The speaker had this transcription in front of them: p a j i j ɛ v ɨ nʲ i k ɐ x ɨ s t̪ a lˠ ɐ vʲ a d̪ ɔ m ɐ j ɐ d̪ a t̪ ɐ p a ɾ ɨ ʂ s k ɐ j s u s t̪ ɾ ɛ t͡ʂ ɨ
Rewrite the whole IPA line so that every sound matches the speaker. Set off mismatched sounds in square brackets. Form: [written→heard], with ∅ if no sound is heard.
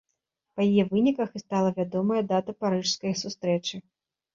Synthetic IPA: p [a→ɐ] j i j ɛ v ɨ nʲ i k ɐ x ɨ s t̪ a lˠ ɐ vʲ a d̪ ɔ m ɐ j ɐ d̪ a t̪ ɐ p a ɾ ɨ ʂ s k ɐ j s u s t̪ ɾ ɛ t͡ʂ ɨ